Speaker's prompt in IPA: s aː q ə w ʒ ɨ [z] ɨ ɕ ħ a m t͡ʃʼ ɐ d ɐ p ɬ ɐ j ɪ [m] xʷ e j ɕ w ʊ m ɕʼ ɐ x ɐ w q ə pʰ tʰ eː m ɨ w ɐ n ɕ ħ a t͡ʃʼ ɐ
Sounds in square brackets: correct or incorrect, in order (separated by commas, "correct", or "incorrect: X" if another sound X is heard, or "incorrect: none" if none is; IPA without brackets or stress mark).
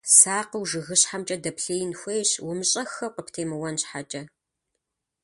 incorrect: ɣ, incorrect: n